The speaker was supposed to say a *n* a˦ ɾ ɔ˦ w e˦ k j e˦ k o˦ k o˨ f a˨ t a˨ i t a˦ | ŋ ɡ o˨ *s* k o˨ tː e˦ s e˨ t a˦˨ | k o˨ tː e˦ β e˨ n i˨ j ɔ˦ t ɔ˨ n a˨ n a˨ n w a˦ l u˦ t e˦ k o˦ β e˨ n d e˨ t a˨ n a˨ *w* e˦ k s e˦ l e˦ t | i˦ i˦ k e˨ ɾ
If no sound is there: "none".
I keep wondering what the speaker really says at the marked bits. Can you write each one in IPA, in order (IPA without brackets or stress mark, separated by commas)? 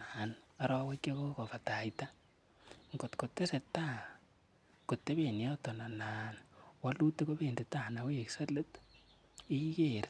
n, t, w